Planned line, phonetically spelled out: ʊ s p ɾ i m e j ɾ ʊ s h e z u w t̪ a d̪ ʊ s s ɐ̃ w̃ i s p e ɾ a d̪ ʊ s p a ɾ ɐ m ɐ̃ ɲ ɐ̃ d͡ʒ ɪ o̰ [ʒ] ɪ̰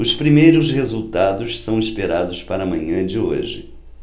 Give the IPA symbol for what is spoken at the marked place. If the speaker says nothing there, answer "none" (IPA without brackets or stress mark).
ʒ